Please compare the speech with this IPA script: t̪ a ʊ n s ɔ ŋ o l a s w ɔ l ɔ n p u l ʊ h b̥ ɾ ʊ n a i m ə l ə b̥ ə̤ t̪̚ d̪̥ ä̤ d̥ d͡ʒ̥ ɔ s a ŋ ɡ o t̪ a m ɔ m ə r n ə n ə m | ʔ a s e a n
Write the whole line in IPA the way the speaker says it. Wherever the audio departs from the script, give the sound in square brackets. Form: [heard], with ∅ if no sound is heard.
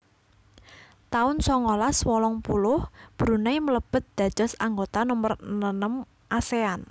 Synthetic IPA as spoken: t̪ a ʊ n s ɔ ŋ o l a s w ɔ l ɔ [ŋ] p u l ʊ h b̥ ɾ [u] n a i m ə l ə b̥ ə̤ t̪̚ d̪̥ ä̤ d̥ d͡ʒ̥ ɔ s a ŋ ɡ o t̪ a [n] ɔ m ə r n ə n ə m | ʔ a s e a n